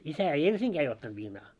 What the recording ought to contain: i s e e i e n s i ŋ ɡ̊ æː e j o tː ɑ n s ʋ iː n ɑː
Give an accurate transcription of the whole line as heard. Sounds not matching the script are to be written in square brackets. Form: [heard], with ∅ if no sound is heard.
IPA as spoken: i s [æ] e i e n s i ŋ ɡ̊ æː e [i] o tː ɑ n [t] ʋ iː n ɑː